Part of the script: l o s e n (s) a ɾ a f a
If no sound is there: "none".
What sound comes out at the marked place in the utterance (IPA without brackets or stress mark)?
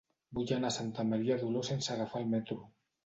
s